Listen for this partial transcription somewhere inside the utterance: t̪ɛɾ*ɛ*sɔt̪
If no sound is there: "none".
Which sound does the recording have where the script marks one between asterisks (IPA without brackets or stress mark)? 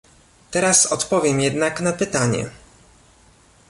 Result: a